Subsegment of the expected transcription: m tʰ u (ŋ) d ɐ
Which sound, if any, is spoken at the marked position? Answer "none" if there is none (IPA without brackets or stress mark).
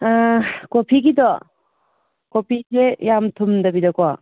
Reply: m